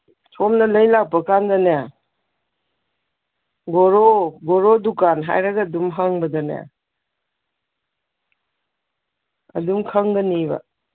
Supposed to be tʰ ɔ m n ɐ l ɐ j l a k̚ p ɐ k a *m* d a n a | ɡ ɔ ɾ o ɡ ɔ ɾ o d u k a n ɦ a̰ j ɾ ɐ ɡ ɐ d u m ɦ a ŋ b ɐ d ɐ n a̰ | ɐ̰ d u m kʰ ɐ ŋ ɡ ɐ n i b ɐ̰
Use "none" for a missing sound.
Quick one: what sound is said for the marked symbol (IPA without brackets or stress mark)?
n